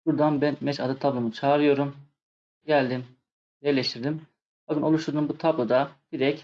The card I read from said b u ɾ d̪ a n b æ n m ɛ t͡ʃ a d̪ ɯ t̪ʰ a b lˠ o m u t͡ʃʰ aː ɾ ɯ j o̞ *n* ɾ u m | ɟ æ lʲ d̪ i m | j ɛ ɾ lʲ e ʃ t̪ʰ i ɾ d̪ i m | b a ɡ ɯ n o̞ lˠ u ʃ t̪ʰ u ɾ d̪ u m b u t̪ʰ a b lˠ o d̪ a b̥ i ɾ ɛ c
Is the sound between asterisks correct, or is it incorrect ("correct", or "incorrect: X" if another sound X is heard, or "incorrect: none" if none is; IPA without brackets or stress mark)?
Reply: incorrect: none